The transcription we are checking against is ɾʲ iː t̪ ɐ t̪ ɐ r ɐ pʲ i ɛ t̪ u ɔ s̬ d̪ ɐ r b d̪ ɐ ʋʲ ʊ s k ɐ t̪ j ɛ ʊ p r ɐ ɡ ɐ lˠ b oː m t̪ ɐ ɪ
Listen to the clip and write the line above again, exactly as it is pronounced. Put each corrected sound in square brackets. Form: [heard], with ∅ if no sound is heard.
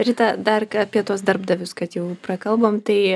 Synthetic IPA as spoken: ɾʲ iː t̪ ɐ [d̪] ɐ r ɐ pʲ i ɛ t̪ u ɔ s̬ d̪ ɐ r b d̪ ɐ ʋʲ ʊ s k ɐ t̪ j ɛ ʊ p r ɐ [k] ɐ lˠ b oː m t̪ ɐ ɪ